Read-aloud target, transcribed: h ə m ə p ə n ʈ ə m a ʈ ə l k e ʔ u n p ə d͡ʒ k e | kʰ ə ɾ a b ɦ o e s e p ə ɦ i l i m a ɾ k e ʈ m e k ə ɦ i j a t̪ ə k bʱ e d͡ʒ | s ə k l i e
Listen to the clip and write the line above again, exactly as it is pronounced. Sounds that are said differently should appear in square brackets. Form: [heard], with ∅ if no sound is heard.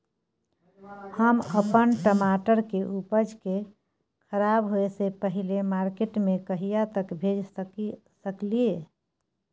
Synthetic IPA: h ə m ə p ə n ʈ ə m a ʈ ə [ɾ] k e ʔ u [∅] p ə d͡ʒ k e | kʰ ə ɾ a b ɦ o e s e p ə ɦ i l [e] m a ɾ k e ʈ m e k ə ɦ i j a t̪ ə k bʱ e d͡ʒ | s ə k l i e